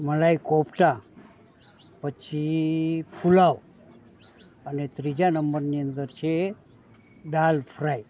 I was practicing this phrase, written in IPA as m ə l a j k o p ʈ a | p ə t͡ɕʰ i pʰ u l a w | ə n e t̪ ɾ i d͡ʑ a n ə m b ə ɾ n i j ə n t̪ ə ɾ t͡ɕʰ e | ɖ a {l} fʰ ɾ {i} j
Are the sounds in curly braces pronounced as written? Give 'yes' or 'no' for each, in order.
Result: yes, no

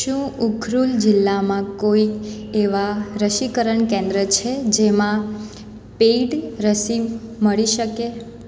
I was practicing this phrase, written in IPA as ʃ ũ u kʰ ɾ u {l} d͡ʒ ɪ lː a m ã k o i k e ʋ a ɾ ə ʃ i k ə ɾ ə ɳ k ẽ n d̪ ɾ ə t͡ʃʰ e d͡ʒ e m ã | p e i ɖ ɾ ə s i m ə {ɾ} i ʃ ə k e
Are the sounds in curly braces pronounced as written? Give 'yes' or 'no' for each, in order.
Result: yes, no

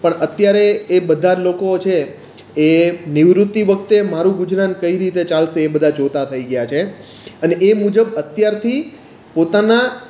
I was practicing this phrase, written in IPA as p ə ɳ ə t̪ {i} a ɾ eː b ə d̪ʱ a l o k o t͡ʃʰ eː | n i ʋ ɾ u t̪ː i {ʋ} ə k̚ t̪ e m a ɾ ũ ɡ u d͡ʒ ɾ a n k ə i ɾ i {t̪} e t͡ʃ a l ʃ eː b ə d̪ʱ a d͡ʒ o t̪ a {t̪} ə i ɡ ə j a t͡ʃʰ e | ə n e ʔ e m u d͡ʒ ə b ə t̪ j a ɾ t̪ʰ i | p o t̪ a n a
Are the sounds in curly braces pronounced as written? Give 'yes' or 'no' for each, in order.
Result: no, yes, yes, no

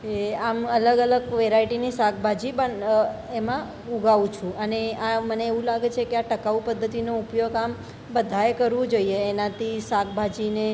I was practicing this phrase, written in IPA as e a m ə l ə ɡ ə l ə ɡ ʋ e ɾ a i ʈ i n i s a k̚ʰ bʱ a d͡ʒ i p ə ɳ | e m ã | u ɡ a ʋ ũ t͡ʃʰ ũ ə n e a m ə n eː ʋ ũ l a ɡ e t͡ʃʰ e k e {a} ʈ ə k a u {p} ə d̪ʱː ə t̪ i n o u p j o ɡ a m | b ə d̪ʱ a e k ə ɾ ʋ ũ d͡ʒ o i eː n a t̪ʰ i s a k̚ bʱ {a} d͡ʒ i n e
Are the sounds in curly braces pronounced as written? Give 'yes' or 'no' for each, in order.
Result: yes, yes, yes

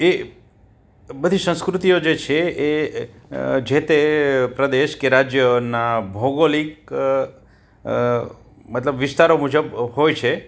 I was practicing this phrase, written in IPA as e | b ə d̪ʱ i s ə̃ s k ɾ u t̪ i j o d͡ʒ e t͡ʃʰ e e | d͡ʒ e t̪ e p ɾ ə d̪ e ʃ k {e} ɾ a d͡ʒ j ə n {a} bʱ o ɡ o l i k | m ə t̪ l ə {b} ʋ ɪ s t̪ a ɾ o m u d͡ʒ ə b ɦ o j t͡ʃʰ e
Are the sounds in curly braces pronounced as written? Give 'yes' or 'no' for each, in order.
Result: yes, yes, yes

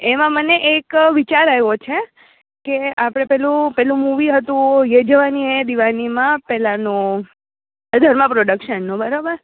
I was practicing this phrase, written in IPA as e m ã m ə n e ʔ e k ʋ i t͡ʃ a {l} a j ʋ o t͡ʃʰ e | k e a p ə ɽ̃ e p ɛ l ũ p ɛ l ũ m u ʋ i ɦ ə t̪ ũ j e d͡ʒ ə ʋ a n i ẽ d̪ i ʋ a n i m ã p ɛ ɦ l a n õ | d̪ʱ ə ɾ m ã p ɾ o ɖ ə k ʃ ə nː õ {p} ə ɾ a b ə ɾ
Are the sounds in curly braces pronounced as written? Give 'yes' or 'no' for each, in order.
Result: no, no

